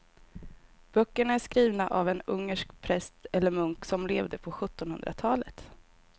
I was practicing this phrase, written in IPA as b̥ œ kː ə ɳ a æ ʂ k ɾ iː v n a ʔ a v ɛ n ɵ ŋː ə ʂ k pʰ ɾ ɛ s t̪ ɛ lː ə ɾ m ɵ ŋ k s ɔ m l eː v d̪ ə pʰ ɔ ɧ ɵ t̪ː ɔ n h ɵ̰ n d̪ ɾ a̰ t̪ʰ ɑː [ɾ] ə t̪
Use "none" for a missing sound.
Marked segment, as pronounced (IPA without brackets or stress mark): l